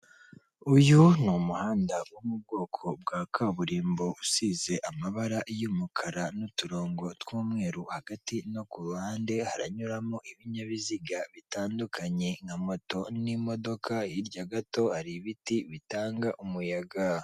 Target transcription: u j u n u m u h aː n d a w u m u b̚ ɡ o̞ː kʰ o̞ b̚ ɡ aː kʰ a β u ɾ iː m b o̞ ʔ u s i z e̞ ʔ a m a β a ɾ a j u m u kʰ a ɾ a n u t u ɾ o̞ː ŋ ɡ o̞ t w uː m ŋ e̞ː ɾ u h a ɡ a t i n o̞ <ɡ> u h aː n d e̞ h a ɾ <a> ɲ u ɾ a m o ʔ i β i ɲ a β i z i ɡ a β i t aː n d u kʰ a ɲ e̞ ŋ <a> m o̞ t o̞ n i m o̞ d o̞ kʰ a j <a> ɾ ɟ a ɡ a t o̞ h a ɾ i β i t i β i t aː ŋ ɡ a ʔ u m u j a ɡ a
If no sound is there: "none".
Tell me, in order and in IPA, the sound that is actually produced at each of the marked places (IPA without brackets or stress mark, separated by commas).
k, a, a, i